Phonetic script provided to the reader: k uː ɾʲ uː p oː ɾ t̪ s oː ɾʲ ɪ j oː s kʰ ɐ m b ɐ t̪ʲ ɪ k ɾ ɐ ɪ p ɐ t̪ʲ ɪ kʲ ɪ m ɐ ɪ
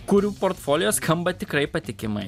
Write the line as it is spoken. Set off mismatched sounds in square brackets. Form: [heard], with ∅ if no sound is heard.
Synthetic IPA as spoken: k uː ɾʲ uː p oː ɾ t̪ [f] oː [lʲ] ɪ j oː s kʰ ɐ m b ɐ t̪ʲ ɪ k ɾ ɐ ɪ p ɐ t̪ʲ ɪ kʲ ɪ m ɐ ɪ